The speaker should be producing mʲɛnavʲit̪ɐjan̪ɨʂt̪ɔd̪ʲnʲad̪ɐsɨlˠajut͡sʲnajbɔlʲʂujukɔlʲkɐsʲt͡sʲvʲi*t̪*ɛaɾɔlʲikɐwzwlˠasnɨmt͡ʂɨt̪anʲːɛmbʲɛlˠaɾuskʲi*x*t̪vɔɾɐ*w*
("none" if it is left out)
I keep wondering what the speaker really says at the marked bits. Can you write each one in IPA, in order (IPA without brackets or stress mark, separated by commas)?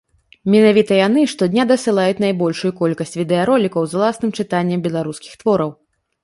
d̪, x, w